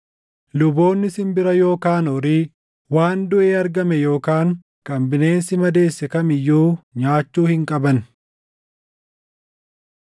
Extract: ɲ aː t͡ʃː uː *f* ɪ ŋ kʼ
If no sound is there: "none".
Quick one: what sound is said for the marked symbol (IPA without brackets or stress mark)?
h